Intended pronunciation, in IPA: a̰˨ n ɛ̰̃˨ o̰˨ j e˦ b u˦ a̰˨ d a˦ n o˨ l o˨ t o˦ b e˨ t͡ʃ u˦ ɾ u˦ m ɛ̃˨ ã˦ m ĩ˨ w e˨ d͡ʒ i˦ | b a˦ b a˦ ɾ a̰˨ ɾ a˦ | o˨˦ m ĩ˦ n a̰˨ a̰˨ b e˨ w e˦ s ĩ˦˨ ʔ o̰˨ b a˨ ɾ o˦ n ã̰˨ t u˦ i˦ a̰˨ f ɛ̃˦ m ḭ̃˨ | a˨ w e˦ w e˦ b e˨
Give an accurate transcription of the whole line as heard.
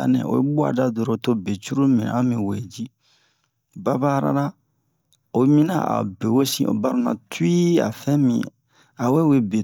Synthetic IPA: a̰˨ n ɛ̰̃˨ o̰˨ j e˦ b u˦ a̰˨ d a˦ d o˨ ɾ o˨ t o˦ b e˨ t͡ʃ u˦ ɾ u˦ m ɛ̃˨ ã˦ m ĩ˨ w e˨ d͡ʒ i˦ | b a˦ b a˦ ɾ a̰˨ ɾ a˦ | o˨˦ m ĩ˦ n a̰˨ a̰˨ b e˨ w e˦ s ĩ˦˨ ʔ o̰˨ b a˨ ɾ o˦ n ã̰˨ t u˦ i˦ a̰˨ f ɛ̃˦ m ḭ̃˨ | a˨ w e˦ w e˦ b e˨